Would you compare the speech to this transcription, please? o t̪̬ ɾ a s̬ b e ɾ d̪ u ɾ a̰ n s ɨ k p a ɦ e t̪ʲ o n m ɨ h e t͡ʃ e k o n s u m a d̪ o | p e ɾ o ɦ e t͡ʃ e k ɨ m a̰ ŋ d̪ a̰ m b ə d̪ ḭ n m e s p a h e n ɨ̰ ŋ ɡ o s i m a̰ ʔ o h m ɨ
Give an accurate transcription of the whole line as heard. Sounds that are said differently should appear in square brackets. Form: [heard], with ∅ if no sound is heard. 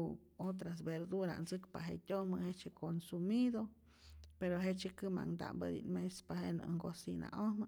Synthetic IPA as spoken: o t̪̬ ɾ a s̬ b e ɾ d̪ u ɾ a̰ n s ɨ k p a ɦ e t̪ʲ o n m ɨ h e t͡ʃ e k o n s u m [i] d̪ o | p e ɾ o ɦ e t͡ʃ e k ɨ m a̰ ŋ d̪ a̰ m b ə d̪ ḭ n m e s p a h e n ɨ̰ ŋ ɡ o s i [n] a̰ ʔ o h m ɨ